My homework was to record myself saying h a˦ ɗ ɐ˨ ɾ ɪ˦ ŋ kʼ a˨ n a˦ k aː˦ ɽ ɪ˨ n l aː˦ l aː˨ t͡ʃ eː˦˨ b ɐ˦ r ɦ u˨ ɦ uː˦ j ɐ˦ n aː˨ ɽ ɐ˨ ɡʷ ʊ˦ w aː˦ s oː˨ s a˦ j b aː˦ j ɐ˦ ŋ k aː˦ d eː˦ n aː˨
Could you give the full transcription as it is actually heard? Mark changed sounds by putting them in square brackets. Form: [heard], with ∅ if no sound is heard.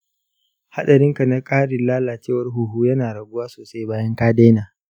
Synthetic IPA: h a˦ ɗ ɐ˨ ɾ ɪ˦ ŋ [k] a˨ n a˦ [kʼ] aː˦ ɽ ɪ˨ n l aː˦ l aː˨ t͡ʃ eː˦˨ [w] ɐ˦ r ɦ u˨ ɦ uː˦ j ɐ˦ n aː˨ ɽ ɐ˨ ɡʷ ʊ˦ w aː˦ s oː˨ s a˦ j b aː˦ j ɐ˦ ŋ k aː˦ d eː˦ n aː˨